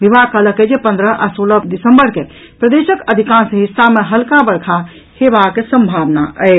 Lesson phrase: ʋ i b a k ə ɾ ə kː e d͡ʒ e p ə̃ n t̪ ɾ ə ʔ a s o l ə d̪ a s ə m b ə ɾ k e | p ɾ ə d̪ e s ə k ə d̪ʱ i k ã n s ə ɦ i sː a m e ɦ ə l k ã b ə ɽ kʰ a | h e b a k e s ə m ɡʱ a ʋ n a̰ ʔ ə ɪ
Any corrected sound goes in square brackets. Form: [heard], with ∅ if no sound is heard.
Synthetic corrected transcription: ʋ i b a k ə [l] ə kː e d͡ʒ e p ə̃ n [d̪] ɾ ə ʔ a s o l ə d̪ [i] s ə m b ə ɾ k e | p ɾ ə d̪ e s ə k ə d̪ʱ i k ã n s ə ɦ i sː a m e ɦ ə l k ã b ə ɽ kʰ a | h e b a k e s ə m [bʱ] a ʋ n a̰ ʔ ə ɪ